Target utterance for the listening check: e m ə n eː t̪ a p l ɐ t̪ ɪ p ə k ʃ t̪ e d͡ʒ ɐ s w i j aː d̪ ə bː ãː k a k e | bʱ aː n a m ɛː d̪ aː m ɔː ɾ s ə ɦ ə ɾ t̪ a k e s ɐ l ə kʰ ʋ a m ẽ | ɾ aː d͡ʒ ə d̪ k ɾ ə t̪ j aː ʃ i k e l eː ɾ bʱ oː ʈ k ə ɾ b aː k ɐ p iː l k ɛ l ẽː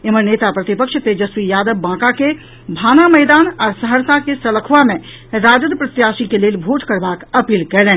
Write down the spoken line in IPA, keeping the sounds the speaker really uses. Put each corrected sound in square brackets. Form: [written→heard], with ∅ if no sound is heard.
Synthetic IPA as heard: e m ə n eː t̪ a p [l→ɾ] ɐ t̪ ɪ p ə k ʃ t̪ e d͡ʒ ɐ s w i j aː d̪ ə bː ãː k a k e | bʱ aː n a m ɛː d̪ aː [m→n] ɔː ɾ s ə ɦ ə ɾ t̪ a k e s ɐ l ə kʰ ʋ a m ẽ | ɾ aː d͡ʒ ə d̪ [k→p] ɾ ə t̪ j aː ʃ i k e l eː [ɾ→l] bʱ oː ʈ k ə ɾ b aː k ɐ p iː l k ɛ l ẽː